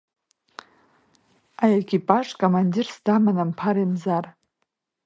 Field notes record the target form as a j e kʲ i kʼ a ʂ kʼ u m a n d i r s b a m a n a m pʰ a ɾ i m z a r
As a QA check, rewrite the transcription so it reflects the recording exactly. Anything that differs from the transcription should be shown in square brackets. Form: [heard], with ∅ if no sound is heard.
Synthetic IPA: a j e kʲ i [pʼ] a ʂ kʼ [o] m a n d i r s [d] a m a n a m pʰ a ɾ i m z a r